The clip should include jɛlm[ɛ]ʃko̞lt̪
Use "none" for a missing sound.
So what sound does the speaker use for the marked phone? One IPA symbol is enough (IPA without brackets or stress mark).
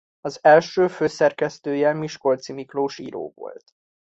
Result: i